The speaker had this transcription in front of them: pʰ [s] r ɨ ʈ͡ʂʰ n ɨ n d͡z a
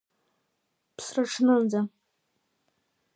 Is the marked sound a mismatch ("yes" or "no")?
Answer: no